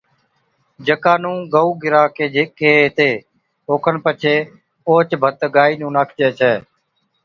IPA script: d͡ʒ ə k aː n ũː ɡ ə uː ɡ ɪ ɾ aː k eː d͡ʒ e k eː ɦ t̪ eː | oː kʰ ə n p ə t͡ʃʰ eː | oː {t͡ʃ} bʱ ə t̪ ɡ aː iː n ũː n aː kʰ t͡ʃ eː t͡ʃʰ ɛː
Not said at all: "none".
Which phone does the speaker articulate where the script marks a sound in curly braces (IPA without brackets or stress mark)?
t͡ʃ